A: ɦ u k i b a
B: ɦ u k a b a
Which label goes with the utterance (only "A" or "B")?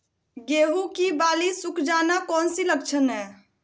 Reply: A